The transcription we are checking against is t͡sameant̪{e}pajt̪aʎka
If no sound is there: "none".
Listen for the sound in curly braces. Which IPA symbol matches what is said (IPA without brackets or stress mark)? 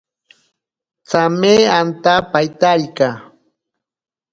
a